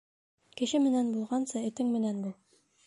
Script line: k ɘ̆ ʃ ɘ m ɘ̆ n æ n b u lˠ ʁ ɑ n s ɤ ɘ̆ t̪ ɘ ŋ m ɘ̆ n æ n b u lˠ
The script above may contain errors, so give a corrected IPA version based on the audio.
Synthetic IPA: k ɘ̆ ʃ ɘ m ɘ̆ n æ n b u lˠ ʁ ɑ n s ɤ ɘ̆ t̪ ɘ ŋ m ɘ̆ n æ n b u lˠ